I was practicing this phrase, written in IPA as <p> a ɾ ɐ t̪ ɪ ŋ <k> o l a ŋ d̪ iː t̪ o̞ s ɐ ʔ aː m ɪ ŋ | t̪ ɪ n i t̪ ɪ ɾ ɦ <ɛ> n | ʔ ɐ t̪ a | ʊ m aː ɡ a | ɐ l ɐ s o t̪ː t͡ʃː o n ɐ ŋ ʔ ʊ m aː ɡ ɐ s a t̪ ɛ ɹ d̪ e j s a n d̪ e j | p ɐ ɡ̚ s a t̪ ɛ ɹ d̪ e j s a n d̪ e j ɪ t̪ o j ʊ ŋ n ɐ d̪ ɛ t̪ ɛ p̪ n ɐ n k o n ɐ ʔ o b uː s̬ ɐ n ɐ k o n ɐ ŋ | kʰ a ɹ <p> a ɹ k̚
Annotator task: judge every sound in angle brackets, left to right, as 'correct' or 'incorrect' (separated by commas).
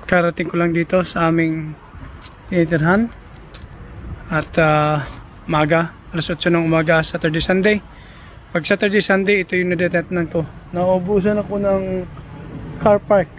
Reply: incorrect, correct, incorrect, correct